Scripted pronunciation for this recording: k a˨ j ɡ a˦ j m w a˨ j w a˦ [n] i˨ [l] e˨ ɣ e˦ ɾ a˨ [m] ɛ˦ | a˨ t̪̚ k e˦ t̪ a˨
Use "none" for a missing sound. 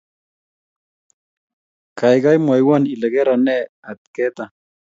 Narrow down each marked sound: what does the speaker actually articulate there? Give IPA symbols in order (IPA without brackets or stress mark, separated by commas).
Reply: n, l, n